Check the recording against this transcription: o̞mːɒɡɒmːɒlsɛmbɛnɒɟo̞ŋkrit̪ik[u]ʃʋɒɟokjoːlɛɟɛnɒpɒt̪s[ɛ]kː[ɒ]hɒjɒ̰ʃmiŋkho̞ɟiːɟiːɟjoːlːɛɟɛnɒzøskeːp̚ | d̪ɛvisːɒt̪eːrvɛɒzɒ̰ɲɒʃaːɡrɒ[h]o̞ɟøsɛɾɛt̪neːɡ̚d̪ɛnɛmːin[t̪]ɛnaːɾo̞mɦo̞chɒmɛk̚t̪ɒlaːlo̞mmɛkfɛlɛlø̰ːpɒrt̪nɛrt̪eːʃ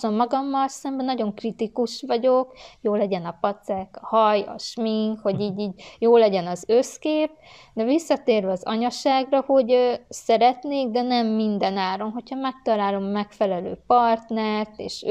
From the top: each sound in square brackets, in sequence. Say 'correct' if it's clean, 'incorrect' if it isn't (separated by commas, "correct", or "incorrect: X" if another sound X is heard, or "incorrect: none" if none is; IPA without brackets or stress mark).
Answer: correct, correct, correct, correct, incorrect: d̪